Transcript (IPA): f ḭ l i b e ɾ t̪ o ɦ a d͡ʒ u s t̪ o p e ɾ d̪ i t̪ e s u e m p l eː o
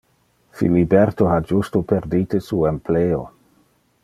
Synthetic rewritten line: f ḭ l i b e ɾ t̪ o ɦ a d͡ʒ u s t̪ o p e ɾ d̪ i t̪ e s u e m p l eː o